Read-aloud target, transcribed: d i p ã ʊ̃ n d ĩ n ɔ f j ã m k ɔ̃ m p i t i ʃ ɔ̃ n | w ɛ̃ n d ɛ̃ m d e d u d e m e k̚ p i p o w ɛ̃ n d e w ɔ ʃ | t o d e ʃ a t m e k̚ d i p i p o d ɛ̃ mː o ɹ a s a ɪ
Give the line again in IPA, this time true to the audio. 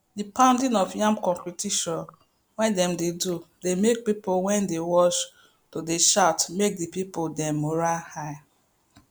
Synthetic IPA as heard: d i p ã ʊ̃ n d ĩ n ɔ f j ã m k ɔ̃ m p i t i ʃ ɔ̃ n | w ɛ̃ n d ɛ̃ m d e d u d e m e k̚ p i p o w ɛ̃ n d e w ɔ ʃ | t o d e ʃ a t m e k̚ d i p i p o d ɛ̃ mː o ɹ a h a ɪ

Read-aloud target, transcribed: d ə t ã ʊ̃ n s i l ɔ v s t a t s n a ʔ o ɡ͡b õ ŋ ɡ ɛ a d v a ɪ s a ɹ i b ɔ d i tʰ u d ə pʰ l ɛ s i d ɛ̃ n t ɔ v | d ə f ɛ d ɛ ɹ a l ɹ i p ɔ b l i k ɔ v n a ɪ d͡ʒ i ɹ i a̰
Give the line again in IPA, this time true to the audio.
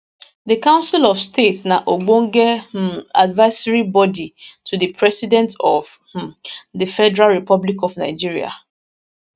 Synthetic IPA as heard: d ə k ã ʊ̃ n s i l ɔ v s t e t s n a ʔ o ɡ͡b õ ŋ ɡ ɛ a d v a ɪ s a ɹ i b ɔ d i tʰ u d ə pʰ ɹ ɛ s i d ɛ̃ n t ɔ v | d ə f ɛ d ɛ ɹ a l ɹ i p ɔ b l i k ɔ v n a ɪ d͡ʒ i ɹ i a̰

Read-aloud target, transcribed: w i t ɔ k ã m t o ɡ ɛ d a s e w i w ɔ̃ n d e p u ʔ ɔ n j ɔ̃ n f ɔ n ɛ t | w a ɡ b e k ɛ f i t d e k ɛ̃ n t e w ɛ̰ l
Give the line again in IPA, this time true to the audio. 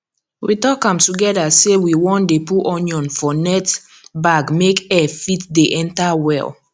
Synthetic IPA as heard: w i t ɔ k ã m t u ɡ ɛ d a s e w i w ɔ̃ n d e p u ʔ ɔ n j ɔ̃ n f ɔ n ɛ t | b a ɡ m e k ɛ f i t d e ʔ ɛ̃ n t a w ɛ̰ l

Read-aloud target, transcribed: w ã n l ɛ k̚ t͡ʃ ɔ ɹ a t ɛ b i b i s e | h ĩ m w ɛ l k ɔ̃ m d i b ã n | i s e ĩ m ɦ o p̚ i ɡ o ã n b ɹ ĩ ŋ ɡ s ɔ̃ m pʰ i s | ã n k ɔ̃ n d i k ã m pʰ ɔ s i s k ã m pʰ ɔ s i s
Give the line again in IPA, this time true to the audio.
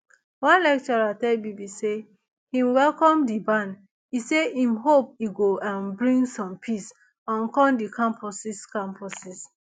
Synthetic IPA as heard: w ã n l ɛ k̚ t͡ʃ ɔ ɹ a t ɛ b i b i s e | h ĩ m w ɛ l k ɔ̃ m d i b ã n | i s e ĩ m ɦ o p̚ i ɡ o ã n b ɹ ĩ ŋ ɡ s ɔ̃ m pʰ i s | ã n k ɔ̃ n d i k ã m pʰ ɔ s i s k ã m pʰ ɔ s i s

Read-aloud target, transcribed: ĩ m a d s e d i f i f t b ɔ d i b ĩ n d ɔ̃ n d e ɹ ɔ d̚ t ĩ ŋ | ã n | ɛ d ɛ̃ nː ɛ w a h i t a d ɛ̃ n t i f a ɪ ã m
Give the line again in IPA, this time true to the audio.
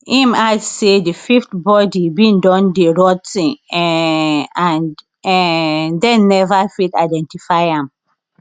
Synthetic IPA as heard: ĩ m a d s e d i f i f t b ɔ d i b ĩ n d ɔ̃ n d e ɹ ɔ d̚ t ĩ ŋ | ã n | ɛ d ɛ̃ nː ɛ v a f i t a d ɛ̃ n t i f a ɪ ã m

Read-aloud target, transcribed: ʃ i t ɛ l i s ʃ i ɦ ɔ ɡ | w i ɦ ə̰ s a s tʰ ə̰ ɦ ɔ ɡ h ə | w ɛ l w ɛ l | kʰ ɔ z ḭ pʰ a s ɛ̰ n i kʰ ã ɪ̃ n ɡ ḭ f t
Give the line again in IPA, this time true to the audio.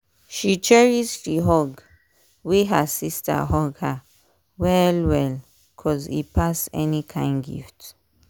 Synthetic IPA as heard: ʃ i t͡ʃ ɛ ɹ i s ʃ i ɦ ɔ ɡ | w i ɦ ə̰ s i s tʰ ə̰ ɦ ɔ ɡ h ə | w ɛ l w ɛ l | kʰ ɔ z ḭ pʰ a s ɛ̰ n i kʰ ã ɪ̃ n ɡ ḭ f t

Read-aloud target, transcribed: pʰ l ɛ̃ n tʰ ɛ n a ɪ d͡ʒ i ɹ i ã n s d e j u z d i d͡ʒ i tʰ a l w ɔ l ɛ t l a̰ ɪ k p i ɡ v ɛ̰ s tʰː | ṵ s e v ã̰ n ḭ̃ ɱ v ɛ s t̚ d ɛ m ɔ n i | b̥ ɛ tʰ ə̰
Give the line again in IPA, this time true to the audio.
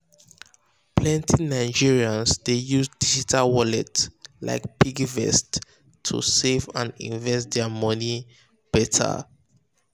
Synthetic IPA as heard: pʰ l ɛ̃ n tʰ i n a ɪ d͡ʒ i ɹ i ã n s d e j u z d i d͡ʒ i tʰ a l w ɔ l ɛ t l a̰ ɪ k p i ɡ v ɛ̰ s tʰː | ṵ s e v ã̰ n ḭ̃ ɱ v ɛ s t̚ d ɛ m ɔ n i | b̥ ɛ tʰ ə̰

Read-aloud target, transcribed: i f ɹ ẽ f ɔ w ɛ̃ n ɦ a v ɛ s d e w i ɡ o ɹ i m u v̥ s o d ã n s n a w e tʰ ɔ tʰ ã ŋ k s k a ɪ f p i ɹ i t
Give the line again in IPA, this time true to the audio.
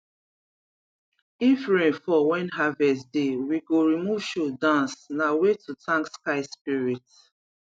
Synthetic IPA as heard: i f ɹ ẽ f ɔ w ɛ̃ n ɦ a v ɛ s d e w i ɡ o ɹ i m u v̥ ʃ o d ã n s n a w e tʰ u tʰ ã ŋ k s k a ɪ s p i ɹ i t

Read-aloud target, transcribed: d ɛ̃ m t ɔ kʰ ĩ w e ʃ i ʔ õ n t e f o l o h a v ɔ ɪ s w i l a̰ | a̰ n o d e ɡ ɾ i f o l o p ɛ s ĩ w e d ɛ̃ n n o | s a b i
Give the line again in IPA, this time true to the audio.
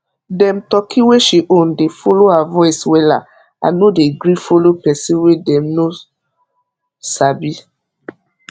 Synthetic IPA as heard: d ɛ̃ m t ɔ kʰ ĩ w e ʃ i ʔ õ n d e f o l o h a v ɔ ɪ s w ɛ l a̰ | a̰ n o d e ɡ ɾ i f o l o p ɛ s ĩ w e d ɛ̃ m n o | s a b i

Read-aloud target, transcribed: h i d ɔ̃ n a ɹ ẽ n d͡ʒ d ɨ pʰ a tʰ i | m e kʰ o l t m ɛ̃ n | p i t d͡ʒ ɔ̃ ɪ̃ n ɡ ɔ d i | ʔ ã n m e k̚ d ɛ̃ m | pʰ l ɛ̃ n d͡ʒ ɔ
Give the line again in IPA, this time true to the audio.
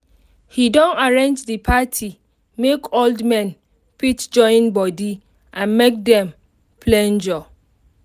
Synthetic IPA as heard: h i d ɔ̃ n a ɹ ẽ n d͡ʒ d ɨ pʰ a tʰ i | m e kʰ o l d m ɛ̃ n | p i t d͡ʒ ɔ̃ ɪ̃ n b ɔ d i | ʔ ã n m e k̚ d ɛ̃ m | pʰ l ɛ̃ n d͡ʒ ɔ

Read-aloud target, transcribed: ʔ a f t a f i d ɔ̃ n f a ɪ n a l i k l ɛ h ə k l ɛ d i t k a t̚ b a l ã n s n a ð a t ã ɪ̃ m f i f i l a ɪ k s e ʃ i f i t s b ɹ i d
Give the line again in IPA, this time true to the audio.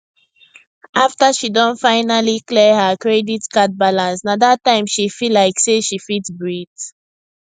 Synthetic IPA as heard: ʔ a f t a ʃ i d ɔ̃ n f a ɪ n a l i k l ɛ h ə k ɹ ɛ d i t k a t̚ b a l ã n s n a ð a t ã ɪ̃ m ʃ i f i l a ɪ k s e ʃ i f i t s b ɹ i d

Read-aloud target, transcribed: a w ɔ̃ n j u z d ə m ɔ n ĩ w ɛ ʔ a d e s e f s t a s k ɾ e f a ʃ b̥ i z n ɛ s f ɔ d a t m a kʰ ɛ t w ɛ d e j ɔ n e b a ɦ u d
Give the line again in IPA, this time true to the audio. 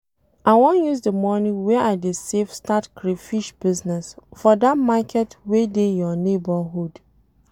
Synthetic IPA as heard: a w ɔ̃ n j u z d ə m ɔ n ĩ w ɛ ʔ a d e s e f s t a t k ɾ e f i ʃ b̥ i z n ɛ s f ɔ d a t m a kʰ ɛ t w e d e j ɔ n e b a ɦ u d

